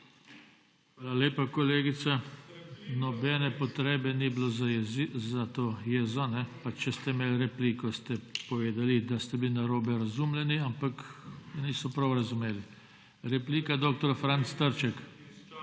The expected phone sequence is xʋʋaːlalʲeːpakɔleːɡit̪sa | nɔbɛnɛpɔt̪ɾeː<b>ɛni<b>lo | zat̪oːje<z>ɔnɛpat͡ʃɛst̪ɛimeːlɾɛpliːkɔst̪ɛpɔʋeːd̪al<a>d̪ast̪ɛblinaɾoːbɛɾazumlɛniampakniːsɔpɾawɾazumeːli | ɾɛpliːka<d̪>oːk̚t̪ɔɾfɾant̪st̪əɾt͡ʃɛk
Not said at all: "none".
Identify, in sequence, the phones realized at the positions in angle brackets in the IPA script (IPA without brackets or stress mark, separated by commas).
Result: b, b, z, i, d̪